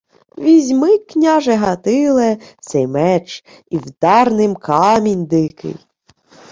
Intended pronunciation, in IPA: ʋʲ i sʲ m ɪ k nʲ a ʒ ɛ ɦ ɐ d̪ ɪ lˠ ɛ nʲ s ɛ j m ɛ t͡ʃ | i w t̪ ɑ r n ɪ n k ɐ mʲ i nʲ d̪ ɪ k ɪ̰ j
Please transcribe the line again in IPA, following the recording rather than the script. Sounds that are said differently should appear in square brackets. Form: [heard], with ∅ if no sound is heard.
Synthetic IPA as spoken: ʋʲ i [zʲ] m ɪ k nʲ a ʒ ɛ ɦ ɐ [t̪] ɪ lˠ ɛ [∅] s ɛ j m ɛ t͡ʃ | i w [d̪] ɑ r n ɪ [m] k [ɑ] mʲ i nʲ d̪ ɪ k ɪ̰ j